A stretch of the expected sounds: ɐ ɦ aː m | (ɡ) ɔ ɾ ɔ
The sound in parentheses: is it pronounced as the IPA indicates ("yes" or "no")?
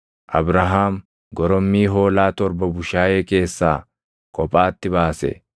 yes